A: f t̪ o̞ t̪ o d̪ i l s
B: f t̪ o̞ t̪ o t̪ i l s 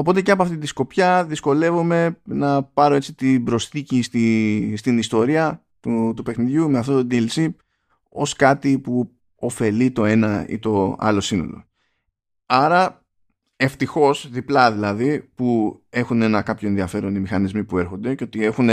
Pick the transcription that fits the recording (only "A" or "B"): A